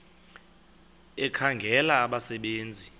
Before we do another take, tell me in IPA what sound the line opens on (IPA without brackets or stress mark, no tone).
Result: ɛ